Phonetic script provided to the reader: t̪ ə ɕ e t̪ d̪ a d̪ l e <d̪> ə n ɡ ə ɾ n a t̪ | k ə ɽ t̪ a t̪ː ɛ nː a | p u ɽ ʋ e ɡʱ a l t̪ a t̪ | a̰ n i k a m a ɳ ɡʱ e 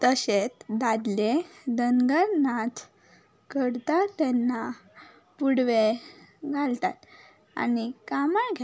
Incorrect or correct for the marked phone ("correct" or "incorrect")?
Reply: correct